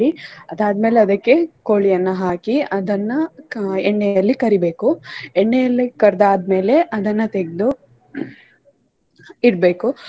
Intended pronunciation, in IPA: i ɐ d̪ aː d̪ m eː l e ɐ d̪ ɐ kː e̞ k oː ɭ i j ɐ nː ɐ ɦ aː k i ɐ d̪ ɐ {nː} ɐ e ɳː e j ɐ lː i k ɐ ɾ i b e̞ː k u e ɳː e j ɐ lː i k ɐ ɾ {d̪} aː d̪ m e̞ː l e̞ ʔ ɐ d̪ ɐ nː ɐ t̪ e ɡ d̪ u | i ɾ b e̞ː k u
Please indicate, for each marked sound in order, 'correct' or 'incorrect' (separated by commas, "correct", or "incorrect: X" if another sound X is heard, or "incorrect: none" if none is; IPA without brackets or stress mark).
correct, correct